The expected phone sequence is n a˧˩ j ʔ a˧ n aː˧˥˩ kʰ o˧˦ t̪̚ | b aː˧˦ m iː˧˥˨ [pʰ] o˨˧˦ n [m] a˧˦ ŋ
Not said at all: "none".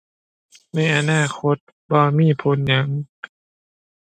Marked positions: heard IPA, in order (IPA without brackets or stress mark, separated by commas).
pʰ, ɲ